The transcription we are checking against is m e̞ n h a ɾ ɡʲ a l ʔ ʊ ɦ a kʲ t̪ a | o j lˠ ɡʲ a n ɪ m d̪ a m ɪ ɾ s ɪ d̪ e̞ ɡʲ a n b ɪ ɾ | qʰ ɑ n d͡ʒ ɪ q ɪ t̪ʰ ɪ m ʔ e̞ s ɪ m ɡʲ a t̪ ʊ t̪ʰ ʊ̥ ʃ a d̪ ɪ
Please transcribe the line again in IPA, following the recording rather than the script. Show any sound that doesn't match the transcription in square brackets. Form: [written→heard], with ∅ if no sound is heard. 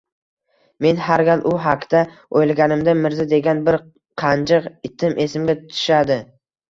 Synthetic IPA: m e̞ n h a ɾ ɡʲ a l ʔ ʊ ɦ a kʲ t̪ a | o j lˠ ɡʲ a n ɪ m d̪ a m ɪ ɾ [s→z] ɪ d̪ e̞ ɡʲ a n b ɪ ɾ | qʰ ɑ n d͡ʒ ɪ q ɪ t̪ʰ ɪ m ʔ e̞ s ɪ m ɡʲ a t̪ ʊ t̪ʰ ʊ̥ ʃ a d̪ ɪ